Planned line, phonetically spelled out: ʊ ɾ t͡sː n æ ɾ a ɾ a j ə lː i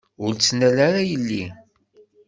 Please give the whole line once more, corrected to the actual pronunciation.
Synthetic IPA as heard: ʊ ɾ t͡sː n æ l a ɾ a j ə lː i

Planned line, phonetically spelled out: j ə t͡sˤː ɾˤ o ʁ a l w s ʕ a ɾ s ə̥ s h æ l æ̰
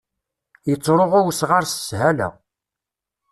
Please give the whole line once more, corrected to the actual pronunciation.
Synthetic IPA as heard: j ə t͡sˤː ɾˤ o ʁ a w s ʁ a ɾ s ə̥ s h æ l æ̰

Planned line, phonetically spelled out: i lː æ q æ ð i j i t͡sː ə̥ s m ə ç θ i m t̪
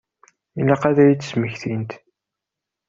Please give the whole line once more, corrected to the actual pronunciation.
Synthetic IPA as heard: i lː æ q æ ð æ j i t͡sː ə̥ s m ə ç θ i n t̪

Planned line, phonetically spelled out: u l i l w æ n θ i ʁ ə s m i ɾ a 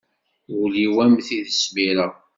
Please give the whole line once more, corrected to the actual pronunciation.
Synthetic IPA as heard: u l i w æ m θ i ð ə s m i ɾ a

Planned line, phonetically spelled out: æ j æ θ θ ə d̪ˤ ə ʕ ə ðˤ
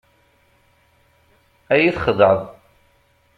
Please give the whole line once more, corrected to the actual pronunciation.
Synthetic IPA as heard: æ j i θ χ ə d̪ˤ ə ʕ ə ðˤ

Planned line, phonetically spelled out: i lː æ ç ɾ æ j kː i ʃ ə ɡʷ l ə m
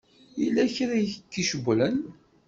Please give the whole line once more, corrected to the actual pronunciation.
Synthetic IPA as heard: i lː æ ç ɾ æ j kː i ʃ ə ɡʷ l ə n

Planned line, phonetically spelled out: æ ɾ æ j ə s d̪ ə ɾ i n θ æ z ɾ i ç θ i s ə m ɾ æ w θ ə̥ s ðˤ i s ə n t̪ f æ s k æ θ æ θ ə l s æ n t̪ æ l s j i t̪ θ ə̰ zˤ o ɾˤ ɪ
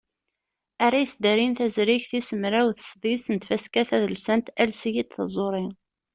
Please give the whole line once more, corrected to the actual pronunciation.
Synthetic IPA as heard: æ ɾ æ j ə s d̪ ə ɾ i n θ æ z ɾ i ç θ i s ə m ɾ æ w θ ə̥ s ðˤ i s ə n t̪ f æ s k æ θ æ ð ə l s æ n t̪ æ l s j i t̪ θ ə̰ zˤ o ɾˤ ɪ

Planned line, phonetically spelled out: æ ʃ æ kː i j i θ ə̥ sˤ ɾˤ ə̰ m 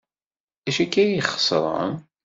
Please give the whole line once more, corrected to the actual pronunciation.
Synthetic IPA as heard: æ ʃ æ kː æ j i χ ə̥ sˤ ɾˤ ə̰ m

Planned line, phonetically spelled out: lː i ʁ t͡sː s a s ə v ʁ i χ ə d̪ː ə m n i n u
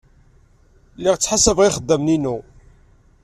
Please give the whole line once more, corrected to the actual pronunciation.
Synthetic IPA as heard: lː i ʁ t͡sː ħ a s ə v ʁ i χ ə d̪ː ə m n i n u

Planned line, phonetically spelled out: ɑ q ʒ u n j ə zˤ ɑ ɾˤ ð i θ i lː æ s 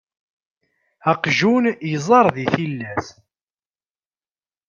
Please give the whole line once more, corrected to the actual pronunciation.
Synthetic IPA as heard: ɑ q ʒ u n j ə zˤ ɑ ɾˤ ð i θ i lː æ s

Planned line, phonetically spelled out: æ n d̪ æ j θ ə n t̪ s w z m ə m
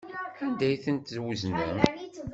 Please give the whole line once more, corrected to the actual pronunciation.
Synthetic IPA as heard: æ n d̪ æ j θ ə n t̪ z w z n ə m

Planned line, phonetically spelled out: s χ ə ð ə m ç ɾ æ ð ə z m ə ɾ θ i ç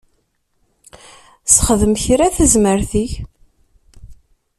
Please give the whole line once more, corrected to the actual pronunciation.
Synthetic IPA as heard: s χ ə ð ə m ç ɾ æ θ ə z m ə ɾ θ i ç

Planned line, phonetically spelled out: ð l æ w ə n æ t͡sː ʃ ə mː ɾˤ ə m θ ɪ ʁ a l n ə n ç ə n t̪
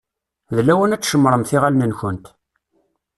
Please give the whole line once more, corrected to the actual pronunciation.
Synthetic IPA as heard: ð l æ w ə n æ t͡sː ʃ ə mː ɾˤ ə m θ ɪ ʁ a l n ə n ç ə n t̪

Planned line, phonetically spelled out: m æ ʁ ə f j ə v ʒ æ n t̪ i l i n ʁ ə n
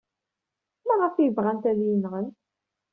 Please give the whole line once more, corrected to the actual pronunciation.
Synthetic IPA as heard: m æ ʁ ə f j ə v ʁ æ n t̪ æ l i n ʁ ə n

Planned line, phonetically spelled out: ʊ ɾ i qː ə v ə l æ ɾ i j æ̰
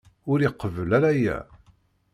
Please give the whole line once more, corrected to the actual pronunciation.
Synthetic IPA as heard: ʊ ɾ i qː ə v ə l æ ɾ æ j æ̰

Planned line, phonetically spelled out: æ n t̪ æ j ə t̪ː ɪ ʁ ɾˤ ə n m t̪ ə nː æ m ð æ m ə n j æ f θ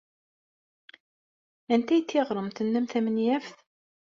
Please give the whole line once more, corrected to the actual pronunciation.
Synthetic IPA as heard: æ n t̪ æ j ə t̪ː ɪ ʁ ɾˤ ə m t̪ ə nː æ m θ æ m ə n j æ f θ

